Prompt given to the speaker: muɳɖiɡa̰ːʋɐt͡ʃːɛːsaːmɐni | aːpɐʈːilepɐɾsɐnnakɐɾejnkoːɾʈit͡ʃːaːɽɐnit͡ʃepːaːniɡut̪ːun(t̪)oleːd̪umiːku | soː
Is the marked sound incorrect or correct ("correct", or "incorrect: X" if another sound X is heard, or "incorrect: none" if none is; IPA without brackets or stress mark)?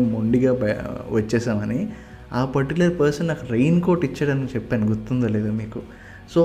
incorrect: d̪